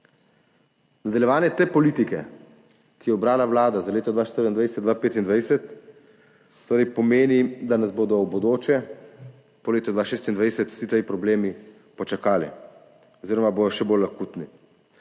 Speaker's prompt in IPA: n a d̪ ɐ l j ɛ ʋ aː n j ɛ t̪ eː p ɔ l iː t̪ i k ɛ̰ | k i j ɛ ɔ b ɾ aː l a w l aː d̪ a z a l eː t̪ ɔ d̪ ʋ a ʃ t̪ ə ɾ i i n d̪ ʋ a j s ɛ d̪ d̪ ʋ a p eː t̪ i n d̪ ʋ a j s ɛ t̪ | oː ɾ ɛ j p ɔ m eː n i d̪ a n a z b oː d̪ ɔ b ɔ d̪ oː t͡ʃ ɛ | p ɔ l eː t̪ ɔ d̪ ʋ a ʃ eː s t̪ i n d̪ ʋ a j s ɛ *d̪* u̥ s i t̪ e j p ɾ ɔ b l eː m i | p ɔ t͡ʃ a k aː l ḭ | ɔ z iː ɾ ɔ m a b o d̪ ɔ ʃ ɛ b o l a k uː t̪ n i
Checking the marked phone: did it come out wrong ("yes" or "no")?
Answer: yes